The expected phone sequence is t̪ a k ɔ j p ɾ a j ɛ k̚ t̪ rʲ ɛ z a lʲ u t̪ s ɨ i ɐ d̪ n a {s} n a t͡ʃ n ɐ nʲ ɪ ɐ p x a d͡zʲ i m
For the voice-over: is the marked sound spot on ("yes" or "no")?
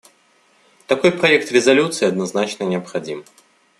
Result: no